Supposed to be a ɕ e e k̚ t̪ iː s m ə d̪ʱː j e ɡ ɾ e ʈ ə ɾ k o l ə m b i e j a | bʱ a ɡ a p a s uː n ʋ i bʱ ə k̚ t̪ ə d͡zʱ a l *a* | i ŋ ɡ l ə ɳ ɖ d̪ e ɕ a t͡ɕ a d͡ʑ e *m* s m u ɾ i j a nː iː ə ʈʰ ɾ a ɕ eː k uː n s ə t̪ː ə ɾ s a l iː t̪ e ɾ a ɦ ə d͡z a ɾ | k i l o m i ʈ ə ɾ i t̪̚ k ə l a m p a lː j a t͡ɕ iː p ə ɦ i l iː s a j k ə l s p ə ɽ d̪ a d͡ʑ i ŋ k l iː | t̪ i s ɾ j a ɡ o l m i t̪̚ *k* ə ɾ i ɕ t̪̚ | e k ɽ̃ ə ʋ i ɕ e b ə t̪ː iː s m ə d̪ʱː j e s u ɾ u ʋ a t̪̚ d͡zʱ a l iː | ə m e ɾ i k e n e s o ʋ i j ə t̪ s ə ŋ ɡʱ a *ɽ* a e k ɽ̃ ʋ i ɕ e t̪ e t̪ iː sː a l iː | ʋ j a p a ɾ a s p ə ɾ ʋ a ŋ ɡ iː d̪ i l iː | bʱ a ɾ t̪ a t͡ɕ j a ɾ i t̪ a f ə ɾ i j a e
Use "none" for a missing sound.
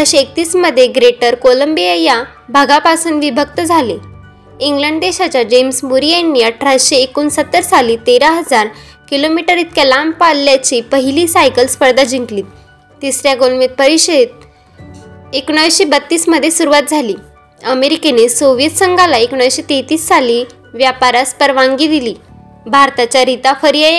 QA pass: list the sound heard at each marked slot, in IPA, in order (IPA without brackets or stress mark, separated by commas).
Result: e, m, p, l